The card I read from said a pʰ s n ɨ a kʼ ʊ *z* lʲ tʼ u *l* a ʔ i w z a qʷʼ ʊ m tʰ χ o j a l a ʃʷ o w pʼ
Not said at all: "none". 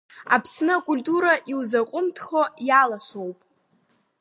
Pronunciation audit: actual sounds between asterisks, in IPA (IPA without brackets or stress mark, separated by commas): none, ɾ